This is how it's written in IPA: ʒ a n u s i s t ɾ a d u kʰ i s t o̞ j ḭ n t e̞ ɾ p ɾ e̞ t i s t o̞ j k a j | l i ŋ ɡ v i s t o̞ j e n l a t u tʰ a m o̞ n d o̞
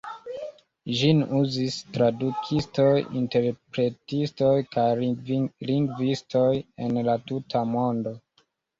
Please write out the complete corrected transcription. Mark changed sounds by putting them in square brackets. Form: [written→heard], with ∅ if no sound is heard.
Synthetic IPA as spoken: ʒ [a→i] n u [s→z] i s t ɾ a d u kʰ i s t o̞ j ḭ n t e̞ ɾ p ɾ e̞ t i s t o̞ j k a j | l i ŋ ɡ v i s t o̞ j e n l a t u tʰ a m o̞ n d o̞